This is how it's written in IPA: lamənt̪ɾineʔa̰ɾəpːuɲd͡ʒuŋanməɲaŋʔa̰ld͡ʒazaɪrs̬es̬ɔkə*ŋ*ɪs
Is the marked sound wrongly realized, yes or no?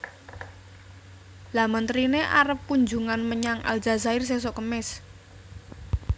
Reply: yes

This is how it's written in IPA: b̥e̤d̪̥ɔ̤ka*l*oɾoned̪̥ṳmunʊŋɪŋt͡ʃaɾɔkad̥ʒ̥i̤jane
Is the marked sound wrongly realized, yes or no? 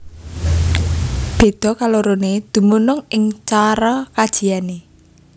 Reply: no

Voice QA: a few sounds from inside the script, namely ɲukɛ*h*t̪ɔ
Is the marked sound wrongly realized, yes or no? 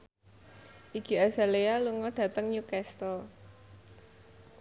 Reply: yes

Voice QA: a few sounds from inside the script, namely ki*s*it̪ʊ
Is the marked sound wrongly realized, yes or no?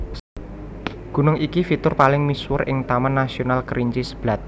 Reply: yes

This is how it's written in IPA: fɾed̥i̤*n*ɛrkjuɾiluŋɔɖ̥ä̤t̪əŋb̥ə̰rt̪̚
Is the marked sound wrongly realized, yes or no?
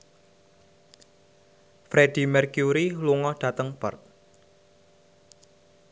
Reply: yes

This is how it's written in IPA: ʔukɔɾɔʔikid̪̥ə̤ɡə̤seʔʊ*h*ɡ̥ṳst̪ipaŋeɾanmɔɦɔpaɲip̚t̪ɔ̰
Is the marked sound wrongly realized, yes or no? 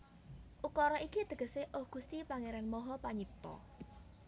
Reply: no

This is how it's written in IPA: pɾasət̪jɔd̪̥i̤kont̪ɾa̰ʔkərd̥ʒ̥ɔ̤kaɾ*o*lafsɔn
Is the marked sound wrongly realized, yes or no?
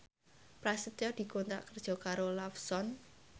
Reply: no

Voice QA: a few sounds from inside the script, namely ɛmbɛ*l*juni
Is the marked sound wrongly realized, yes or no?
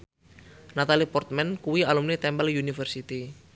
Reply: no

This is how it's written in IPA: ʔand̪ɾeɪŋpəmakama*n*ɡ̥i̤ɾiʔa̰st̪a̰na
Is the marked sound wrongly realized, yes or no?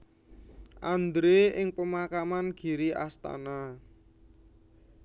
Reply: no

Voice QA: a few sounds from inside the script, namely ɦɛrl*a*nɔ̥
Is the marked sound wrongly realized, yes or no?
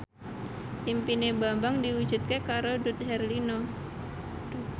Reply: yes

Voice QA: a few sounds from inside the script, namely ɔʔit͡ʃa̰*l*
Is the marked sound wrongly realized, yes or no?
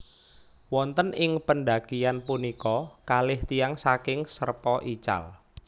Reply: no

